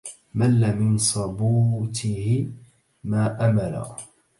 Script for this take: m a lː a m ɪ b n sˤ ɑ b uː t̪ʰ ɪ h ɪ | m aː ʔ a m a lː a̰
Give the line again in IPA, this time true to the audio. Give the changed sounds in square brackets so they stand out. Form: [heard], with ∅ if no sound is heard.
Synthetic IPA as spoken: m a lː a m ɪ [∅] n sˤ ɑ b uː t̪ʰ ɪ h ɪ | m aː ʔ a m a [l] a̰